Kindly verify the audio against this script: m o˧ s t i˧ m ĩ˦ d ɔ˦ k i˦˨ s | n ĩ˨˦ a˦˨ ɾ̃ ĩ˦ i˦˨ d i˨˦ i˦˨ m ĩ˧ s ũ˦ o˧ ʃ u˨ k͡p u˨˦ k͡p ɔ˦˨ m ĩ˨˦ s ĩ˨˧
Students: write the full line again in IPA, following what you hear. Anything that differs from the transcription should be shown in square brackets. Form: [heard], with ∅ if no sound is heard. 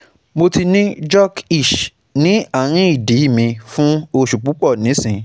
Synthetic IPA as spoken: m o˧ [∅] t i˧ [n] ĩ˦ [d͡ʒ] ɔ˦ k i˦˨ [ʃ] | n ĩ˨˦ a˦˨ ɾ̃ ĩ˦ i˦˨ d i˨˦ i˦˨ m ĩ˧ [f] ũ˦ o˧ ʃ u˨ k͡p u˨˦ k͡p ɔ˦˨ [n] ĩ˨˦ s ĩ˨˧